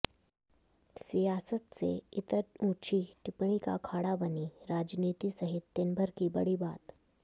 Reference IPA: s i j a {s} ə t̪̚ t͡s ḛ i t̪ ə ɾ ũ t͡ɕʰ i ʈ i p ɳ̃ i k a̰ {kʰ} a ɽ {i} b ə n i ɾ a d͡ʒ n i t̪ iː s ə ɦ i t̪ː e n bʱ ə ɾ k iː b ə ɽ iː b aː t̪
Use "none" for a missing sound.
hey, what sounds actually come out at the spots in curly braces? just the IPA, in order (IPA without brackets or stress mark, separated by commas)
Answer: s, kʰ, a